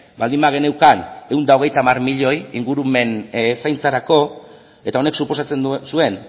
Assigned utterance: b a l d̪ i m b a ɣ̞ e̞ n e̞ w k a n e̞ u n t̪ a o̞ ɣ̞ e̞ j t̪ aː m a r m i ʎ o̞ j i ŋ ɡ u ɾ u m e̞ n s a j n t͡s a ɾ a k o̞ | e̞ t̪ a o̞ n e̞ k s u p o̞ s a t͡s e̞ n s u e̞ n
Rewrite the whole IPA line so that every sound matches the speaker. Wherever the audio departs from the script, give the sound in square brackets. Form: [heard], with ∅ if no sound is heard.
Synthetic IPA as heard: b a l d̪ i m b a ɣ̞ e̞ n e̞ w k a n e̞ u n [d̪] a o̞ ɣ̞ e̞ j t̪ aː m a r m i ʎ o̞ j i ŋ ɡ u ɾ u m e̞ n s a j n t͡s a ɾ a k o̞ | e̞ t̪ a o̞ n e̞ k s u p o̞ s a t͡s e̞ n s u e̞ n